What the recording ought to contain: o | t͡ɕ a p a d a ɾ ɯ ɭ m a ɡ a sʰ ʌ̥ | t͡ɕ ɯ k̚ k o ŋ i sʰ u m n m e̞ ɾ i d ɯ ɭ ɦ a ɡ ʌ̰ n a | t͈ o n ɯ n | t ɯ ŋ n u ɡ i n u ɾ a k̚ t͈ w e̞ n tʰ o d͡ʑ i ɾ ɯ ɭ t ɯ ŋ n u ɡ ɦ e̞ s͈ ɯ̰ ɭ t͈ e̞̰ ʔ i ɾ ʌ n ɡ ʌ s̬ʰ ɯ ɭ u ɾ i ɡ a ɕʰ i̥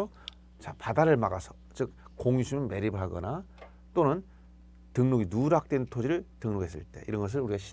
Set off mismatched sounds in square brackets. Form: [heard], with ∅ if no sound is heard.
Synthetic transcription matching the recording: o | t͡ɕ a p a d a ɾ ɯ ɭ m a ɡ a sʰ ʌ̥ | t͡ɕ ɯ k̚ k o ŋ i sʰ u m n m e̞ ɾ i [b] ɯ ɭ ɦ a ɡ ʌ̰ n a | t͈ o n ɯ n | t ɯ ŋ n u ɡ i n u ɾ a k̚ t͈ w e̞ n tʰ o d͡ʑ i ɾ ɯ ɭ t ɯ ŋ n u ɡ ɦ e̞ s͈ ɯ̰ ɭ t͈ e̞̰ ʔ i ɾ ʌ n ɡ ʌ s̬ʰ ɯ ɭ u ɾ i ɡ a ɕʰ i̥